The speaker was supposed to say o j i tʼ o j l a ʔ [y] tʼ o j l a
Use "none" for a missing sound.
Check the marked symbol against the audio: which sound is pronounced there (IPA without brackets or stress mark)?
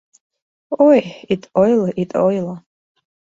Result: i